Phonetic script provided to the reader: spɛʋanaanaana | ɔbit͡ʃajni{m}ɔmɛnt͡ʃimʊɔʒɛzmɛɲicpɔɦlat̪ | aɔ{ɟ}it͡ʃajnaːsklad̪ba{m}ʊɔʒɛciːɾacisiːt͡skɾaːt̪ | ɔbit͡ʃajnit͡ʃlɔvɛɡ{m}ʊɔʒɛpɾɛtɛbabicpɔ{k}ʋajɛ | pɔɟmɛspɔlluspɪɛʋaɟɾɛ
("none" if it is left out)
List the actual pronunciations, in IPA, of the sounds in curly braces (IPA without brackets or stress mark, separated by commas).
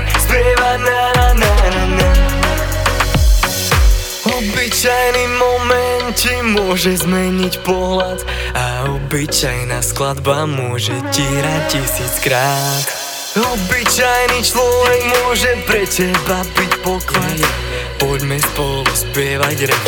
m, b, m, m, k